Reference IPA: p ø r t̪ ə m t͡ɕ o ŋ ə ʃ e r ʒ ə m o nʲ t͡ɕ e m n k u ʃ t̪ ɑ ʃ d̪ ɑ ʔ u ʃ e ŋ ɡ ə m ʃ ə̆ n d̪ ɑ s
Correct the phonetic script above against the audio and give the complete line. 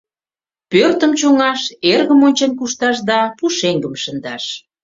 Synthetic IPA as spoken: p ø r t̪ ə m t͡ɕ o ŋ ɑ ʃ e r ɣ ə m o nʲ t͡ɕ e n k u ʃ t̪ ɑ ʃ d̪ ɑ p u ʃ e ŋ ɡ ə m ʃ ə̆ n d̪ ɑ ʃ